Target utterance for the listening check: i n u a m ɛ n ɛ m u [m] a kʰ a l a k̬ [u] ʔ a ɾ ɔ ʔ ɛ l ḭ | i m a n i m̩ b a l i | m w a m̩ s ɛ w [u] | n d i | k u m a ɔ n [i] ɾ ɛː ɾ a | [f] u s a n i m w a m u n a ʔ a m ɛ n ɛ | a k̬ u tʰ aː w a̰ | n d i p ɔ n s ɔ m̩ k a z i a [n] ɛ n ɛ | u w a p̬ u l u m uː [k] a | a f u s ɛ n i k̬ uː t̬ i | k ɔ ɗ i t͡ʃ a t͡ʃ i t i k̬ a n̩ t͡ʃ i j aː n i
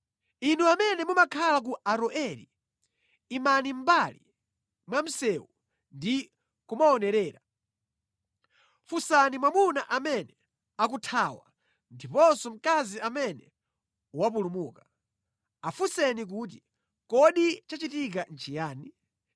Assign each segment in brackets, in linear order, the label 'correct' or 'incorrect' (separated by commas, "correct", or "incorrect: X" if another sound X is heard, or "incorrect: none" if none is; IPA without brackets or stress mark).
correct, correct, correct, incorrect: ɛ, correct, incorrect: m, correct